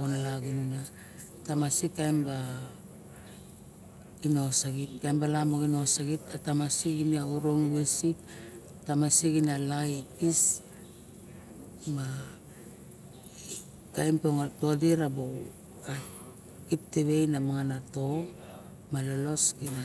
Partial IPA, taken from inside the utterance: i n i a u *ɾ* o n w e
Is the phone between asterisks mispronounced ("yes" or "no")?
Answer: no